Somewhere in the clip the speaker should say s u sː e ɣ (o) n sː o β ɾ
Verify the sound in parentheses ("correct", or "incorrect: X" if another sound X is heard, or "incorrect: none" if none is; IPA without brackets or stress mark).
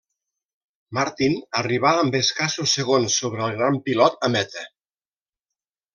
correct